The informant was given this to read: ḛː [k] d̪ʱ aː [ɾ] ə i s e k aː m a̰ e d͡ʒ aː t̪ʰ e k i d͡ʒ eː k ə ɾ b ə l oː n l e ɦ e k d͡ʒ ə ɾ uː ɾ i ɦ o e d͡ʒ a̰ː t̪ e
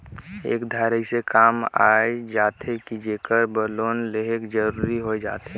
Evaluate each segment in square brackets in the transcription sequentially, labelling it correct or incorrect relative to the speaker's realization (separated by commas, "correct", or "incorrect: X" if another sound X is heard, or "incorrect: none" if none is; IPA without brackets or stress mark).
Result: correct, correct